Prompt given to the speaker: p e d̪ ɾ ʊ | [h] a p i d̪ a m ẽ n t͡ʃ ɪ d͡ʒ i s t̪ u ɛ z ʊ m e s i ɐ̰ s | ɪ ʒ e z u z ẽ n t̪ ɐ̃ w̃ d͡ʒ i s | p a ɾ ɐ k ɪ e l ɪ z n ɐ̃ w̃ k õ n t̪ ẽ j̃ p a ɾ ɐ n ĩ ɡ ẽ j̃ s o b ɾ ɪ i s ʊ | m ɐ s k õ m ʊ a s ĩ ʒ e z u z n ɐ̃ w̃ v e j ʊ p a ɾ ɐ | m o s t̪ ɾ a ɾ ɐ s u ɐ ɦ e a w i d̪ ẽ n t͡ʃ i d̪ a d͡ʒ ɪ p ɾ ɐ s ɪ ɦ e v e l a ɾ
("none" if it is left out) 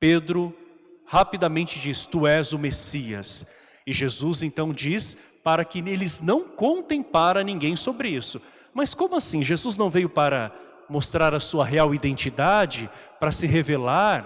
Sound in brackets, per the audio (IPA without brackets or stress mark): h